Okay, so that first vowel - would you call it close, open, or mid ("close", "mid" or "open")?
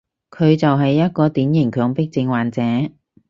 mid